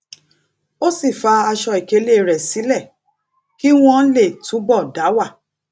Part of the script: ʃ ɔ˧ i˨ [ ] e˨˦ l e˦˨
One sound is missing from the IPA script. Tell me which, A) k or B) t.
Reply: A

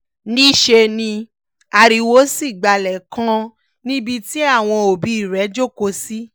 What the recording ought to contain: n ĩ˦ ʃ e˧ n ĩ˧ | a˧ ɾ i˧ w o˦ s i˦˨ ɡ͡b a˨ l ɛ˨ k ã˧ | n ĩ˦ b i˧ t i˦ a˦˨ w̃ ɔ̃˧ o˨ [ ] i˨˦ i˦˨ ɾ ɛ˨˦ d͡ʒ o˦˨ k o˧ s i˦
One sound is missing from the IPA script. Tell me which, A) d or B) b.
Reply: B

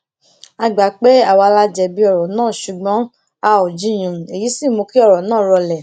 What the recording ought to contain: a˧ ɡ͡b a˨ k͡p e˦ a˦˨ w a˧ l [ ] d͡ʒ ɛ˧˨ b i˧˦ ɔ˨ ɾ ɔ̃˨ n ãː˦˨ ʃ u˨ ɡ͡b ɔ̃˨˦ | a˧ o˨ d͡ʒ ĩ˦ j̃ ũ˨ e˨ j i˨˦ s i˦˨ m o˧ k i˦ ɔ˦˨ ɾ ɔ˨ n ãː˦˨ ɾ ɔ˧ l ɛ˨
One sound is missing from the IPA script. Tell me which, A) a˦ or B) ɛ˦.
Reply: A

